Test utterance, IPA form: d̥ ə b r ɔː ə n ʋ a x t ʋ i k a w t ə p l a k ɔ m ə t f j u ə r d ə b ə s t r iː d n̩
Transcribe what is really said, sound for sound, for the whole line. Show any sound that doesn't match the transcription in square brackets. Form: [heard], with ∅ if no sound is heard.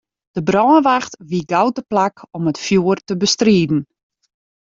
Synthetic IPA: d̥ ə b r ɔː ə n ʋ a x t ʋ i [ɡ] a w t ə p l a k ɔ m ə t f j u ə r [t] ə b ə s t r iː d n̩